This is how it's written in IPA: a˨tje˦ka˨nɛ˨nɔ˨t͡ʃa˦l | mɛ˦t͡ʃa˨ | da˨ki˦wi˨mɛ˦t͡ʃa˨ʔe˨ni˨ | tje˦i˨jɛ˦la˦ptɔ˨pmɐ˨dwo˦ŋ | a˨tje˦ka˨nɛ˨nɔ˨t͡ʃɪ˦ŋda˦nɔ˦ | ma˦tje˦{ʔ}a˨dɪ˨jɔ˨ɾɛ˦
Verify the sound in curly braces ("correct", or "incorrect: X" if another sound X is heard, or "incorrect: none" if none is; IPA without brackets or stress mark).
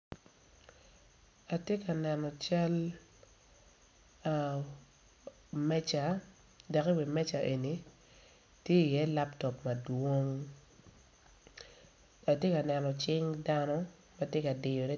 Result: incorrect: k